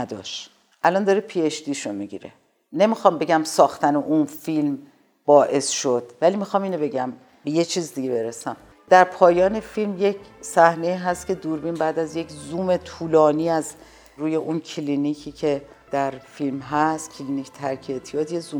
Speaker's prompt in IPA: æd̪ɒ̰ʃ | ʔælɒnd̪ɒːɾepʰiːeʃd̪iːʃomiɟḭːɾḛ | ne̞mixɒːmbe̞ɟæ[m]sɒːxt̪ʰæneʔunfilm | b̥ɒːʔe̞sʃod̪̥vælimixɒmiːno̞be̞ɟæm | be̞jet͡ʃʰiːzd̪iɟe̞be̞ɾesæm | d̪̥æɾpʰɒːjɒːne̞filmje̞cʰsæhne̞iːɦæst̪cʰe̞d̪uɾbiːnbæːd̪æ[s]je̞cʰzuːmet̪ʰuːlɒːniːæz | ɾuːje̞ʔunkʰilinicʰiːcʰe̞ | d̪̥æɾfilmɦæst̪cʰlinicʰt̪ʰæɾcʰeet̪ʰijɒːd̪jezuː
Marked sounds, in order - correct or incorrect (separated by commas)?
correct, incorrect